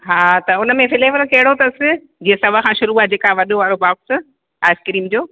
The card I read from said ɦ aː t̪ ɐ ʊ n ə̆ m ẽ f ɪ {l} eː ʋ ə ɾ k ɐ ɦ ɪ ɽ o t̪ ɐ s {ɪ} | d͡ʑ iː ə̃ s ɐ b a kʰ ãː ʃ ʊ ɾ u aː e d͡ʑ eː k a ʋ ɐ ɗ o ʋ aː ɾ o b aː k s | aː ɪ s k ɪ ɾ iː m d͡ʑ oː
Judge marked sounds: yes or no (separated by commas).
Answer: yes, yes